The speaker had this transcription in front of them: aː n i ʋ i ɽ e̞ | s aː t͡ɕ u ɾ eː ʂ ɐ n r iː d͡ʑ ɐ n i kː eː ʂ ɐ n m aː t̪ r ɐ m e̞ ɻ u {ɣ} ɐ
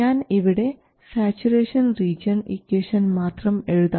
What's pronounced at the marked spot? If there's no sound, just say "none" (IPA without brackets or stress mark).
ð